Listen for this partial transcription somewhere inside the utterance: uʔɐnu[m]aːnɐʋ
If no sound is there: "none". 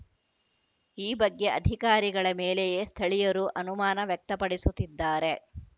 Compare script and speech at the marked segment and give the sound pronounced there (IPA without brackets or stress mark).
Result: m